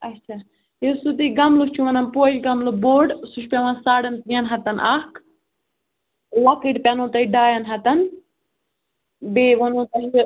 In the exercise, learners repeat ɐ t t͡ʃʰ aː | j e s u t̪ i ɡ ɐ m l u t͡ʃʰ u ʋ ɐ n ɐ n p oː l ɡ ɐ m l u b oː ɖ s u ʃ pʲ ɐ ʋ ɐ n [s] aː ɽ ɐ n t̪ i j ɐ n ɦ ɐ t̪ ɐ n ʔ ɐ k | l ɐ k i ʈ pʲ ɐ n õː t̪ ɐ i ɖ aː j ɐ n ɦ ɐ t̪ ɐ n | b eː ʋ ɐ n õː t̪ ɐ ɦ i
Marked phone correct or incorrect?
correct